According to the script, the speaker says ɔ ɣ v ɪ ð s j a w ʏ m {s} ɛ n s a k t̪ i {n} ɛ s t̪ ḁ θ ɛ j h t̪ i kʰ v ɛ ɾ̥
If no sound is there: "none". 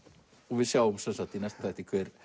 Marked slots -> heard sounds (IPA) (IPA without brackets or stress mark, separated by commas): s, n